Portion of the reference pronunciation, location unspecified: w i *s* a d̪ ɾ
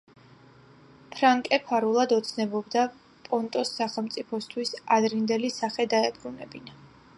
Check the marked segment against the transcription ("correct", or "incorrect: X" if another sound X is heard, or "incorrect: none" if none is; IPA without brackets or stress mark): correct